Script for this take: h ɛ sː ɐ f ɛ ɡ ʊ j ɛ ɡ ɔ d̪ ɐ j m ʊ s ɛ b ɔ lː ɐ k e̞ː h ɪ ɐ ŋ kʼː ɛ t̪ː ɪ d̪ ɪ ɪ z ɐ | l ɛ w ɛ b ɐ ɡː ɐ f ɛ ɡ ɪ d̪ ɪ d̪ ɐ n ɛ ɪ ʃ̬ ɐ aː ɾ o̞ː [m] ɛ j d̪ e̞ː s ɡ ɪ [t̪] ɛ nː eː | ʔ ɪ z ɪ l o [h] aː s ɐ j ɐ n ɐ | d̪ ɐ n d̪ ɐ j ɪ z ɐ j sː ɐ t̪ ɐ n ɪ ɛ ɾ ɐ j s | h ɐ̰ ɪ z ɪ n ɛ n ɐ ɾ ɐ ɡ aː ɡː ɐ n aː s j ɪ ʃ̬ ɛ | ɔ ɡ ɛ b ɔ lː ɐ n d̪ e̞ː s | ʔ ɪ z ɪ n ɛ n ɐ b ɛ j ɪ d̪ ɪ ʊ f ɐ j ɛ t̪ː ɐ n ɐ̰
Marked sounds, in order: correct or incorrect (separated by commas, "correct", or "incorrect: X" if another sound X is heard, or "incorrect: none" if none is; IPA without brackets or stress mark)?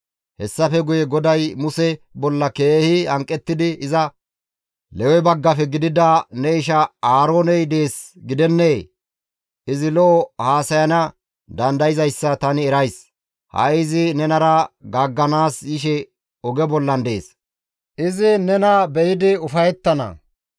incorrect: n, incorrect: d̪, correct